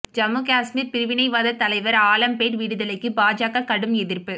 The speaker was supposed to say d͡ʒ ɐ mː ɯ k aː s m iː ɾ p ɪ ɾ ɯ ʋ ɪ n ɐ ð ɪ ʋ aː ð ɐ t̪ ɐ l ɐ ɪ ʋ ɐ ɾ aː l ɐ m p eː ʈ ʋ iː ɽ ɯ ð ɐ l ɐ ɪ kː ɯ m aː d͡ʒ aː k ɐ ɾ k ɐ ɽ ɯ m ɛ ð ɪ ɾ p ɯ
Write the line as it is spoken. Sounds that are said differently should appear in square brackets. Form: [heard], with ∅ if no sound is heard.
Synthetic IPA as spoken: d͡ʒ ɐ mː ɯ k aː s m iː ɾ p ɪ ɾ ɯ ʋ ɪ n ɐ [∅] ɪ ʋ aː ð ɐ t̪ ɐ l ɐ ɪ ʋ ɐ ɾ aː l ɐ m p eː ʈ ʋ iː ɽ ɯ ð ɐ l ɐ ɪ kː ɯ [b] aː d͡ʒ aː k ɐ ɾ k ɐ ɽ ɯ m ɛ ð ɪ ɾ p ɯ